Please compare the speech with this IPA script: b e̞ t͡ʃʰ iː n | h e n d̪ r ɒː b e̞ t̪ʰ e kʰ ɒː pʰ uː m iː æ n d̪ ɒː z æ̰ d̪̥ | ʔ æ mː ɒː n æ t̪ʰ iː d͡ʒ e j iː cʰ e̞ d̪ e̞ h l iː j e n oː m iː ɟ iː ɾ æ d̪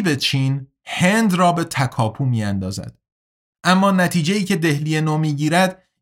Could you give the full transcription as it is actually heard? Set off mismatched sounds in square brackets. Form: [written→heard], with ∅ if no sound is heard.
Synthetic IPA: b e̞ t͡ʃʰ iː n | h e n d̪ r ɒː b e̞ t̪ʰ [e→æ] kʰ ɒː pʰ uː m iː æ n d̪ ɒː z æ̰ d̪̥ | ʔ æ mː ɒː n æ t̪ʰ iː d͡ʒ e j iː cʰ e̞ d̪ e̞ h l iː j e n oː m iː ɟ iː ɾ æ d̪